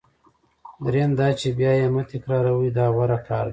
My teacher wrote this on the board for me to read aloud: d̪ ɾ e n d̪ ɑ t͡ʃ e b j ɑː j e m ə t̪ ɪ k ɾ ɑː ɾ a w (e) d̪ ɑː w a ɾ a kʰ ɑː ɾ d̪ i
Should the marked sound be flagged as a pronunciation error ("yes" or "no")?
yes